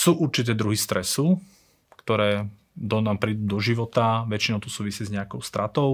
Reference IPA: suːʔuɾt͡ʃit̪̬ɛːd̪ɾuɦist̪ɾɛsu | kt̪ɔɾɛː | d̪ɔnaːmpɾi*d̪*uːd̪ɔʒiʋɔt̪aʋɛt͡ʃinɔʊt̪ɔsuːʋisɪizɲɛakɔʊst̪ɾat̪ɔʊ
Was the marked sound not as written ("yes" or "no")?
no